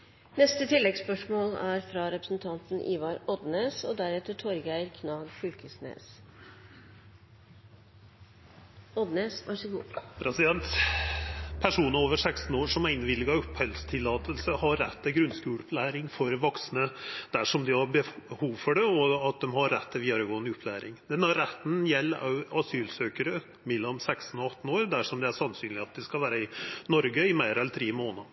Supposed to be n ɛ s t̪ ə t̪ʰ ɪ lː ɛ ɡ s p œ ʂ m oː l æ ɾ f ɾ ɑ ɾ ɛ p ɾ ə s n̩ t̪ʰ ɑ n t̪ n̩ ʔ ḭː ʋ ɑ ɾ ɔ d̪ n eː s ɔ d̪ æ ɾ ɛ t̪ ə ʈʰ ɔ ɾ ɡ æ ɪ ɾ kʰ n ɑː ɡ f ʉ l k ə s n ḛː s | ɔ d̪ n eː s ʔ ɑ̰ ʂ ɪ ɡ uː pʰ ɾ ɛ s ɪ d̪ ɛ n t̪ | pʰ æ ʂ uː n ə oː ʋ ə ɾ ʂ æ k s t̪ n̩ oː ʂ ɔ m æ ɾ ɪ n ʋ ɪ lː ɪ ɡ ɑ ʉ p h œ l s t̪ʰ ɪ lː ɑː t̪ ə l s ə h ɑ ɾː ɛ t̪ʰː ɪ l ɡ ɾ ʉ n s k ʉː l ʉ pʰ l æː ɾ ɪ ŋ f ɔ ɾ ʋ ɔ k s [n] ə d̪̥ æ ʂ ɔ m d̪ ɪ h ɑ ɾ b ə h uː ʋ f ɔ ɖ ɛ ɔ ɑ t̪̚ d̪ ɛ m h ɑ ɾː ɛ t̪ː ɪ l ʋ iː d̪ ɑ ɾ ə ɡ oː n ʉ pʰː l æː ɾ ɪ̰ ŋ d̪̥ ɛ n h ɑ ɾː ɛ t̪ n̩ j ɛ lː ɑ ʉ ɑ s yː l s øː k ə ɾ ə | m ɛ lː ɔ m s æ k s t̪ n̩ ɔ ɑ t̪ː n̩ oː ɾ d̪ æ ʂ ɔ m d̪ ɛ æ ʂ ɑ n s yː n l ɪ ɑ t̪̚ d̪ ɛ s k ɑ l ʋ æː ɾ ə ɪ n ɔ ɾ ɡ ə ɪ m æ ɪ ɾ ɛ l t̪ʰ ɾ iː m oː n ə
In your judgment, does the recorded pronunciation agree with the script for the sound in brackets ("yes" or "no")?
yes